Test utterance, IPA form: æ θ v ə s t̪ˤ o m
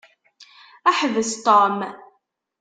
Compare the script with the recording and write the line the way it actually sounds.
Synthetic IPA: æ ħ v ə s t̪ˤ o m